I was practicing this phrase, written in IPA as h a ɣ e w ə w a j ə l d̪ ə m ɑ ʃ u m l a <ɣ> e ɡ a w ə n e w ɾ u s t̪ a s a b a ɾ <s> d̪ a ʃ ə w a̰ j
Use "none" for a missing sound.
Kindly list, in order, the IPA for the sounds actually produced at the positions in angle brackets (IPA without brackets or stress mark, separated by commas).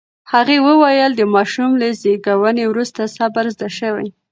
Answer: z, z